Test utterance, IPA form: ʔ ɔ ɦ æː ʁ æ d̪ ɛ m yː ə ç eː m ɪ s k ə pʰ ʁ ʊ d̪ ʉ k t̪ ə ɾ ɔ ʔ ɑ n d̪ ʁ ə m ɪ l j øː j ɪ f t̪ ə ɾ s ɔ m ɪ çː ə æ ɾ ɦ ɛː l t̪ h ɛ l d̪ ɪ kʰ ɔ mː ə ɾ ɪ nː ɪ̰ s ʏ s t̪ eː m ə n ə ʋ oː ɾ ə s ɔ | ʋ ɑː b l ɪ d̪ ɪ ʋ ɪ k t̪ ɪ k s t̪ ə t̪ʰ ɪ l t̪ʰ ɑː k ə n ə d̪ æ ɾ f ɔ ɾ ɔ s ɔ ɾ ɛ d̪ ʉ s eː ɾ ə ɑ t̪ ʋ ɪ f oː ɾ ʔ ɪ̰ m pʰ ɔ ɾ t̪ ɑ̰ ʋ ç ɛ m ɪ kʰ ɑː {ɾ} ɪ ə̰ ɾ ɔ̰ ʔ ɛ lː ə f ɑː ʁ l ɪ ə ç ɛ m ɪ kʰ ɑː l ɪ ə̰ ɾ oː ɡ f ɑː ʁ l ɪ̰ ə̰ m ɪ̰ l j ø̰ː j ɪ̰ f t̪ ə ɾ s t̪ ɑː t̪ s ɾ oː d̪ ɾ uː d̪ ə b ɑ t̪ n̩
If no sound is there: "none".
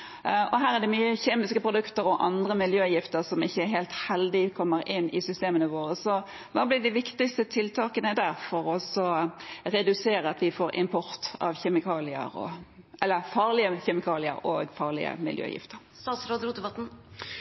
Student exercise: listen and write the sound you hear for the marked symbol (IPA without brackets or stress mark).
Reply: l